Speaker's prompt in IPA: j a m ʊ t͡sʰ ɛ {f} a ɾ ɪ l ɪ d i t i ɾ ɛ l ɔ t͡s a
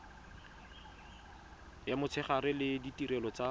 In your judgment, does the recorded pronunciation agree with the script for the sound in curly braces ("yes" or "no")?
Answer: no